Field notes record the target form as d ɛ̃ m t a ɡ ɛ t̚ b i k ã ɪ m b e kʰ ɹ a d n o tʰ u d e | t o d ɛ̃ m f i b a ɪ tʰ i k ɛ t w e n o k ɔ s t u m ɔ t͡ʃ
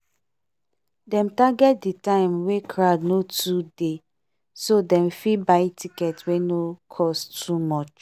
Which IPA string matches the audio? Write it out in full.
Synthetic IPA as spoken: d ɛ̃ m t a ɡ ɛ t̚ d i t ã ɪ m w e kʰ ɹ a d n o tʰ u d e | s o d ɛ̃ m f i b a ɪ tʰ i k ɛ t w e n o kʰ ɔ s t u m ɔ t͡ʃ